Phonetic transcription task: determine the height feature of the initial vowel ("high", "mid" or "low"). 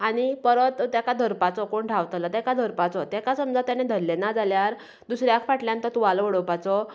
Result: low